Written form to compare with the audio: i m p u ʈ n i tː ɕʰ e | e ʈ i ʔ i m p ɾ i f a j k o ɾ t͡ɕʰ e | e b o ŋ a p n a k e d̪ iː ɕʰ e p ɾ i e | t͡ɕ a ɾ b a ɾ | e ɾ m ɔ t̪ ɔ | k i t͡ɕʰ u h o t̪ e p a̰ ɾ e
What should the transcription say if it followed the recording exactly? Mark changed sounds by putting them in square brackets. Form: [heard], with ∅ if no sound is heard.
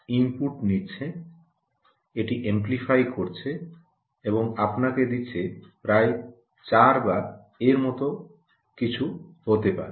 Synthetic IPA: i m p u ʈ n i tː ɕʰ e | e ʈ i ʔ [e] m p [l] i f a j k o ɾ t͡ɕʰ e | e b o ŋ a p n a k e d̪ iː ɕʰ e p ɾ [a] e | t͡ɕ a ɾ b a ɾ | e ɾ m ɔ t̪ [o] | k i t͡ɕʰ u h o t̪ e p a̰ ɾ e